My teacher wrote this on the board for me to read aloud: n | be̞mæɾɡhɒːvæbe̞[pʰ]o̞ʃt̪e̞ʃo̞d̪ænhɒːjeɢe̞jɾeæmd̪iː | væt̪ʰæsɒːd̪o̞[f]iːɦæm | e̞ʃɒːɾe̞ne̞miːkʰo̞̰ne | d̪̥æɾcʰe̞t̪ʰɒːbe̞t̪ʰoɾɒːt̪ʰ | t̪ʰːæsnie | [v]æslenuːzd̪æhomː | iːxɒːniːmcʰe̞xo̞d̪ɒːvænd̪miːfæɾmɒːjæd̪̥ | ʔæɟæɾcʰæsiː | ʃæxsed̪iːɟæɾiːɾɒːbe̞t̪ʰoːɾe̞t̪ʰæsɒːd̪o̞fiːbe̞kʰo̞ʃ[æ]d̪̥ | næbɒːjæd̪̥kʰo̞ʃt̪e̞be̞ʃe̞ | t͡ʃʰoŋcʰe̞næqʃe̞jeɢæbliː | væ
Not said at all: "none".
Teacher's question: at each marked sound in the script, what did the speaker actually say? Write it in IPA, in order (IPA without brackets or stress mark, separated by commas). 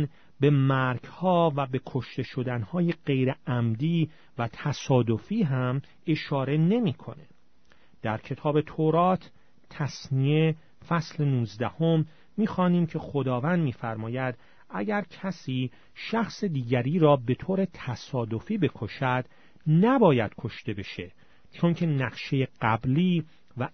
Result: kʰ, f, f, æ